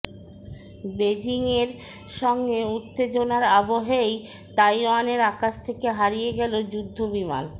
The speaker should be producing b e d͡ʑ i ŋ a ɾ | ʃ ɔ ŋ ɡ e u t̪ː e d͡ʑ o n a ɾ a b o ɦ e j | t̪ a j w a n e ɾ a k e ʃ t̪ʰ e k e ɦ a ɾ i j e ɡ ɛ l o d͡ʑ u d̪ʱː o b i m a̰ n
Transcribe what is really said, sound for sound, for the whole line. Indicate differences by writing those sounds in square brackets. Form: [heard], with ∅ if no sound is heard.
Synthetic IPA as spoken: b e d͡ʑ i ŋ [e] ɾ | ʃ ɔ ŋ ɡ e u t̪ː e d͡ʑ o n a ɾ a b o ɦ e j | t̪ a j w a n e ɾ a k [a] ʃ t̪ʰ e k e ɦ a ɾ i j e ɡ ɛ l o d͡ʑ u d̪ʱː o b i m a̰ n